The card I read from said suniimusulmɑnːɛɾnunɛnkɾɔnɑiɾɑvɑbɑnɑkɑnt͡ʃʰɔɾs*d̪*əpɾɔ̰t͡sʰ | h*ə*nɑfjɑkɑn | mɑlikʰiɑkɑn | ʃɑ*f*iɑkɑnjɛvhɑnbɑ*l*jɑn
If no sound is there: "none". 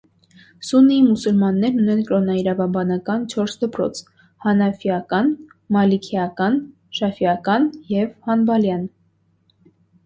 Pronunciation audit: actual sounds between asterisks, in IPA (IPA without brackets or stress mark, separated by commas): d̪, ɑ, f, l